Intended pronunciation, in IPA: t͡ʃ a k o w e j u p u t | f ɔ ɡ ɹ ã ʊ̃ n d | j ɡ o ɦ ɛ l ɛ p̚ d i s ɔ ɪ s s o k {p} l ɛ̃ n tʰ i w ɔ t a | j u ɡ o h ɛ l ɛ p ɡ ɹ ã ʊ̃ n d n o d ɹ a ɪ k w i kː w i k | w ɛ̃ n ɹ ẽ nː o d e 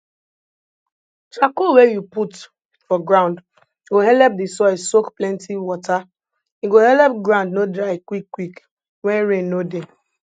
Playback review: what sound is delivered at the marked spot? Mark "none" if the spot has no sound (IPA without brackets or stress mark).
p